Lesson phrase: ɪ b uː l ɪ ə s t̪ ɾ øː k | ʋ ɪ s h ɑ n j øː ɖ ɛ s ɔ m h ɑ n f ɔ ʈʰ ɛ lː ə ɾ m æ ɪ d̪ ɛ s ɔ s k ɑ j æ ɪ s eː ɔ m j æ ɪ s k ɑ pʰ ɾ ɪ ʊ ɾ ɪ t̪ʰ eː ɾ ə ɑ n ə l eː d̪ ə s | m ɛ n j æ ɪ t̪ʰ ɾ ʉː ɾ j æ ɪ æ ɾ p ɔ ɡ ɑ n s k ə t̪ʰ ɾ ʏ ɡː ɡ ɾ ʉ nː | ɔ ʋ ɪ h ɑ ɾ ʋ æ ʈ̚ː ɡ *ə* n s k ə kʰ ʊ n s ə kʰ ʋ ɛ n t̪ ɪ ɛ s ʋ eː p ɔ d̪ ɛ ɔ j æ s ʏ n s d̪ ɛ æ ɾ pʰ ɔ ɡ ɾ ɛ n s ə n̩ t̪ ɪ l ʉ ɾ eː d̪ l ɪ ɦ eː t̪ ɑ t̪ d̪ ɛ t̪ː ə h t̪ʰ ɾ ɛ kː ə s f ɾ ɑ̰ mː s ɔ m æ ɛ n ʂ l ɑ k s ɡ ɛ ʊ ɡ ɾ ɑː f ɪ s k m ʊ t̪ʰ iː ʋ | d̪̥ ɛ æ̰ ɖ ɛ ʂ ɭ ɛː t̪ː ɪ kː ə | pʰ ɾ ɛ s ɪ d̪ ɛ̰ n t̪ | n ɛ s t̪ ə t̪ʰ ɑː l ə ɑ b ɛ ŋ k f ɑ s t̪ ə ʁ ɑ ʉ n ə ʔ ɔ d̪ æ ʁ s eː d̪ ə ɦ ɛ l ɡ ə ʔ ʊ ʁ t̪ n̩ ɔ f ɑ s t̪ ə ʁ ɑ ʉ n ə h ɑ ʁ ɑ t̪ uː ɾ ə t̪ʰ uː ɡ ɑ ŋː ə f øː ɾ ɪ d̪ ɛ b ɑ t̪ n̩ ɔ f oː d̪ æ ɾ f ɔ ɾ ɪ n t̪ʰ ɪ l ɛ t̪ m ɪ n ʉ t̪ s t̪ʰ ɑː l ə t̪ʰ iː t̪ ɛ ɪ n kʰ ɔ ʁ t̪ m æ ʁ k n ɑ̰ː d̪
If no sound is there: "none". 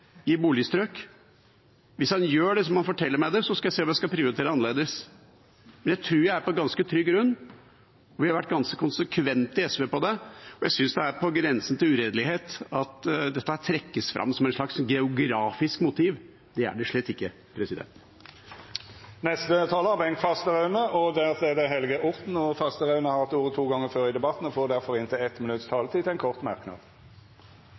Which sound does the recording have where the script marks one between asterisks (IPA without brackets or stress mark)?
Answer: ɑ